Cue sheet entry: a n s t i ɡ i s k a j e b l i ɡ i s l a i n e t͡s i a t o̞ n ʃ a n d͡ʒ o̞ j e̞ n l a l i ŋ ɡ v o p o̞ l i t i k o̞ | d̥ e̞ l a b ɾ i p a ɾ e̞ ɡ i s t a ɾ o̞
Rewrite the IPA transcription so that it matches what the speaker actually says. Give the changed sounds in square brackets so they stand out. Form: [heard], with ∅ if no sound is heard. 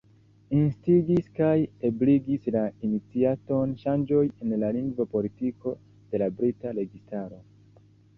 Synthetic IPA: [i] n s t i ɡ i s k a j e b l i ɡ i s l a i n [i] t͡s i a t o̞ n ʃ a n d͡ʒ o̞ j e̞ n l a l i ŋ ɡ v o p o̞ l i t i k o̞ | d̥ e̞ l a b ɾ i [t] a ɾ e̞ ɡ i s t a ɾ o̞